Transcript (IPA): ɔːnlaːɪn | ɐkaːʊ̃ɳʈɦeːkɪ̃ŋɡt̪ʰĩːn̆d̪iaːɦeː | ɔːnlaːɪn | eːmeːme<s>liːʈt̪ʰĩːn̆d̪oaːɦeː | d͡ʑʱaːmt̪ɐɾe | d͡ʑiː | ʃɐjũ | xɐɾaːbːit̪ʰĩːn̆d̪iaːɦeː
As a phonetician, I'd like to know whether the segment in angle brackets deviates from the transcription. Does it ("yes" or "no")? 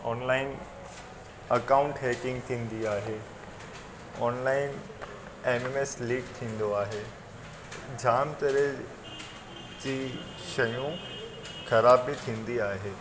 no